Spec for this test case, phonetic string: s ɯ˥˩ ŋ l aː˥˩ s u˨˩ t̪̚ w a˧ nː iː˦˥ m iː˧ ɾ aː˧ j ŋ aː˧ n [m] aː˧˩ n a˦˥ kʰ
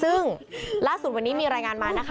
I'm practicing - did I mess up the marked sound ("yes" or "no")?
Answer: no